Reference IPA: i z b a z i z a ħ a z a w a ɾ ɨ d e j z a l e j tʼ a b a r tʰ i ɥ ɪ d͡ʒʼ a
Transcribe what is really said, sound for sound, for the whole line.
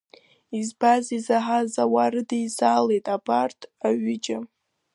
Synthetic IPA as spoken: i z b a z i z a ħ a z a w a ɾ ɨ d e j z a l e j tʼ a b a r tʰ a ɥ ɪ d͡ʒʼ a